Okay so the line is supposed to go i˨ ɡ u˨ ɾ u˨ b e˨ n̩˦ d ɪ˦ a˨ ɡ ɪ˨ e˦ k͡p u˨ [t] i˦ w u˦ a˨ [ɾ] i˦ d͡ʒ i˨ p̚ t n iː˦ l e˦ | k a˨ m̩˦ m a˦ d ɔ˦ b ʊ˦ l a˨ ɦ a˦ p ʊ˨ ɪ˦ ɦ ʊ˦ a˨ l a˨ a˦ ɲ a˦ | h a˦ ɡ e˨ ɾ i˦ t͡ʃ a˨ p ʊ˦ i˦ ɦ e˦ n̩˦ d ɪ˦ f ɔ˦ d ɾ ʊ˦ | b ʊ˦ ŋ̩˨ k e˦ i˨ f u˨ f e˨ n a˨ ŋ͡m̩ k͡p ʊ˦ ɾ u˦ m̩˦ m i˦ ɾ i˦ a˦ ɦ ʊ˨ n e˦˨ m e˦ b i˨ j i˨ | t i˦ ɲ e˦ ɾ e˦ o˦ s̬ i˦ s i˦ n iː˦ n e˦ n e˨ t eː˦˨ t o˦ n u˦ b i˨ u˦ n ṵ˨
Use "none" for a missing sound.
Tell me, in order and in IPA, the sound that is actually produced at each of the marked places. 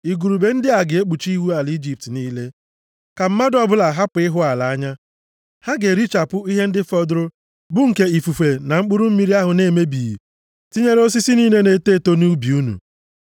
t͡ʃ, l

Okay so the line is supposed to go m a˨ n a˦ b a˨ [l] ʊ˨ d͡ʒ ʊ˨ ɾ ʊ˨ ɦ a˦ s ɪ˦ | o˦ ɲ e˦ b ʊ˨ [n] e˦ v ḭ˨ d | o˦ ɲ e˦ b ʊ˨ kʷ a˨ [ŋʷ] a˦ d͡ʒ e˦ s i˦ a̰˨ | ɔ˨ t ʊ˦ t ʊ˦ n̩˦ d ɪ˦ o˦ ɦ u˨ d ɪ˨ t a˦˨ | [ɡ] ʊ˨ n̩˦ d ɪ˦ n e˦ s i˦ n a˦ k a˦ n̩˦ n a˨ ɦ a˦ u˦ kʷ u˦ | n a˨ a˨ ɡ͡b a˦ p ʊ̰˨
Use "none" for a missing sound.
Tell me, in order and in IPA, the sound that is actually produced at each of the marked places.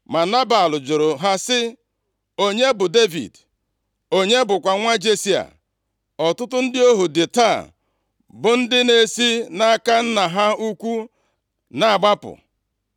l, d, ŋʷ, b

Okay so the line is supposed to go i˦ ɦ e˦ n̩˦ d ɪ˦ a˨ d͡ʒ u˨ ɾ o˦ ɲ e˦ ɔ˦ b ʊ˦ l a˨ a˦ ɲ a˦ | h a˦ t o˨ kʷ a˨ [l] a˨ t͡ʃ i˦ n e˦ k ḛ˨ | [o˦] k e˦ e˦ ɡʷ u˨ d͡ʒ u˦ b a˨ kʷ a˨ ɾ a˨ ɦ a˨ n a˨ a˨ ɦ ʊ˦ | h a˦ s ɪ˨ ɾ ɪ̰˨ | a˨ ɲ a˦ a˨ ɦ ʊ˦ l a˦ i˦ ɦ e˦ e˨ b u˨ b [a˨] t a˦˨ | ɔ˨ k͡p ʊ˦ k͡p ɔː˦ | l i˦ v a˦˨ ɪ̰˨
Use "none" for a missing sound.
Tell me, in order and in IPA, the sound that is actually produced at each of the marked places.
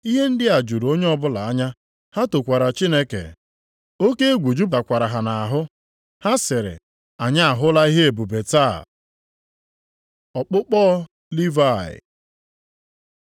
ɾ, o˦, e˨

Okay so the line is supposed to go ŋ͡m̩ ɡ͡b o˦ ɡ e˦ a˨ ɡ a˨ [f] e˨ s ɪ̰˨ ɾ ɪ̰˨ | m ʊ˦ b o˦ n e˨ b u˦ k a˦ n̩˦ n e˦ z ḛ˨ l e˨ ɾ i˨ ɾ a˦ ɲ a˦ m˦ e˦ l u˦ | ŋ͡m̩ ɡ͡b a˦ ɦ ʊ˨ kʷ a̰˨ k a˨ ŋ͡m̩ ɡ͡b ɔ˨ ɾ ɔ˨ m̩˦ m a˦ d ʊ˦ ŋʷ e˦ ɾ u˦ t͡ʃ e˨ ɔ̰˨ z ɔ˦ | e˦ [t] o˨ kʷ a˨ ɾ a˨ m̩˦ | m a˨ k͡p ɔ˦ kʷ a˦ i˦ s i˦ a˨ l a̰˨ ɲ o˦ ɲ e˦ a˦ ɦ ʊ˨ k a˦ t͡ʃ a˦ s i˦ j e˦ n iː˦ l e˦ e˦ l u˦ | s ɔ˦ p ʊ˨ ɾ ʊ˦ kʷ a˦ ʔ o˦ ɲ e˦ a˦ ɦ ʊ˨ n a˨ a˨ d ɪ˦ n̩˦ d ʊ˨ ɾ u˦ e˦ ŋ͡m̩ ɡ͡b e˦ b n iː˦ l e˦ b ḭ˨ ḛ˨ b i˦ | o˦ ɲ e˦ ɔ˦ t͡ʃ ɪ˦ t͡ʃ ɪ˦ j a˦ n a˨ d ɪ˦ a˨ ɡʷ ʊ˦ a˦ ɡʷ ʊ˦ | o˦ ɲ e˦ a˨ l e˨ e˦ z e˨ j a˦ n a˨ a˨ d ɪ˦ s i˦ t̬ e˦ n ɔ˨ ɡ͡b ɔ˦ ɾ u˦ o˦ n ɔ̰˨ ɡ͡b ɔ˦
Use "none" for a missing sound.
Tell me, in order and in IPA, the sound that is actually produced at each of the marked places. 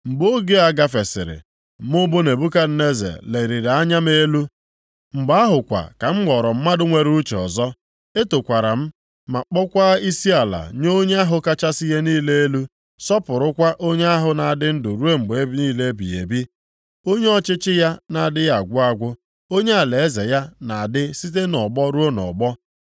f, t

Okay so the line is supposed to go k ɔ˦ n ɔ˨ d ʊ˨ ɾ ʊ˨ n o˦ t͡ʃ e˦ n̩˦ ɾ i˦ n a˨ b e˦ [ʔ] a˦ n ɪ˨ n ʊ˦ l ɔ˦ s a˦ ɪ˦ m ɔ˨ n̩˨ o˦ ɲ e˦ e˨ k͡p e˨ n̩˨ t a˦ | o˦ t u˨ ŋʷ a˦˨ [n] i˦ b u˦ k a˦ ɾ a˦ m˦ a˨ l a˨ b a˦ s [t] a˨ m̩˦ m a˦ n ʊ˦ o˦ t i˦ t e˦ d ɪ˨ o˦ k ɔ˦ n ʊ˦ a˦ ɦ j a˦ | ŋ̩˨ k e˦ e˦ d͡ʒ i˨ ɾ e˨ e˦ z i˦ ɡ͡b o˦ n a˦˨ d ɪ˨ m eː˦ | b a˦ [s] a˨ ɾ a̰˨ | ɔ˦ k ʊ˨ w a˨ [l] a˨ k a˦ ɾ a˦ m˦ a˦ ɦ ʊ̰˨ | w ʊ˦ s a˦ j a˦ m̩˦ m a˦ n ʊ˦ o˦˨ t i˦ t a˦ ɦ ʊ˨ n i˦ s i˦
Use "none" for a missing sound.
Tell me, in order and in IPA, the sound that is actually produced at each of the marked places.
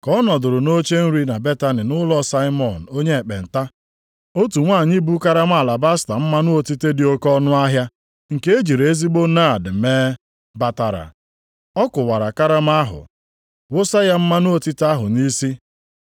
t, ɲ, t, t, ɾ

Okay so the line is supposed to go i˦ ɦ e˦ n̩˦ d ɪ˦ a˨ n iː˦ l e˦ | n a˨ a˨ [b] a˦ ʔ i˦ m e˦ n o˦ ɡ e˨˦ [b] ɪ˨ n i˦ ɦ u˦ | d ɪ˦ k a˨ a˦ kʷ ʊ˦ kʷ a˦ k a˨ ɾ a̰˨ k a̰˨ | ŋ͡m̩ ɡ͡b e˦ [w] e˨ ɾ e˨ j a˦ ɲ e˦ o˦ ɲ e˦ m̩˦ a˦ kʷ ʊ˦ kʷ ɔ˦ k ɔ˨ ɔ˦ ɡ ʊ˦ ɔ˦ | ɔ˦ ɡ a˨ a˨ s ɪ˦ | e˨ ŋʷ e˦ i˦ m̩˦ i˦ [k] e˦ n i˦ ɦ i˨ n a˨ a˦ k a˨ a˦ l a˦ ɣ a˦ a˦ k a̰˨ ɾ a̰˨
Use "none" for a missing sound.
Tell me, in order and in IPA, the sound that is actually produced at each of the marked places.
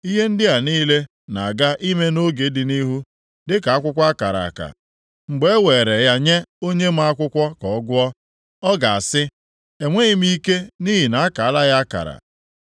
ɡ, d, w, k

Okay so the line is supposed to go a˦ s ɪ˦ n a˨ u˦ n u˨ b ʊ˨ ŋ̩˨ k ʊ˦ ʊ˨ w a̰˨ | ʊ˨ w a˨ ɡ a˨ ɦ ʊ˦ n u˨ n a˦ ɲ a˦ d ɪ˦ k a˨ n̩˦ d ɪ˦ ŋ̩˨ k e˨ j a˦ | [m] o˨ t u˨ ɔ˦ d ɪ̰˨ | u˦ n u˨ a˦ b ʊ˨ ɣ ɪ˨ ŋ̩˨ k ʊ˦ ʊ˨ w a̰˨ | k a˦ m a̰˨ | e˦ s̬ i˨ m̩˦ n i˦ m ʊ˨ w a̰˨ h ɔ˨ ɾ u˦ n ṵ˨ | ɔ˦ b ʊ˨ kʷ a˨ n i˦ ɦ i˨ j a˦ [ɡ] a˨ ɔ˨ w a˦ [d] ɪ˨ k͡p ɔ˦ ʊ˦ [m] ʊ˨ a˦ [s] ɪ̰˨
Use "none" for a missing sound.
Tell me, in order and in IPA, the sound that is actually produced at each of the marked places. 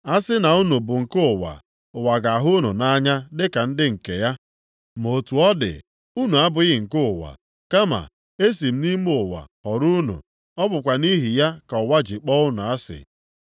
m, k, d͡ʒ, n, s

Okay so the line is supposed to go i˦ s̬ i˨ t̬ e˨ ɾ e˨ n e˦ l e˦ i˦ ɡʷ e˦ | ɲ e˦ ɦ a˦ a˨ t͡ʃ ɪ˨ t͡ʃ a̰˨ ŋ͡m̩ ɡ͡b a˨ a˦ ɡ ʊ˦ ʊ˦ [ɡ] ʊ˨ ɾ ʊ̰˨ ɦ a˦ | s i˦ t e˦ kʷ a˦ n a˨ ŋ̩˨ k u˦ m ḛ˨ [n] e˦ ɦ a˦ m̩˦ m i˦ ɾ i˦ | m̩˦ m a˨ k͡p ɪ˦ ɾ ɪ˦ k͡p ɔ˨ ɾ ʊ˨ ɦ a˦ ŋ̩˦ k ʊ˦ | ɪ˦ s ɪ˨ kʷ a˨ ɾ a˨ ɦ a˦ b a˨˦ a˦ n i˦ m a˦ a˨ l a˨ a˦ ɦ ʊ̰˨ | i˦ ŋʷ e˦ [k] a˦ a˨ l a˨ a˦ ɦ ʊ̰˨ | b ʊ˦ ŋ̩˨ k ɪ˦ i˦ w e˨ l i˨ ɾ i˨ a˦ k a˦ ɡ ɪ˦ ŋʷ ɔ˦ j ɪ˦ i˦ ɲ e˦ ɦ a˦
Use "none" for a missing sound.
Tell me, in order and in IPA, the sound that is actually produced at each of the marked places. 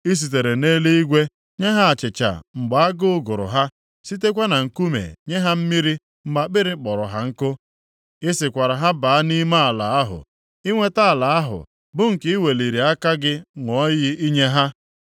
ɡ, ɲ, t

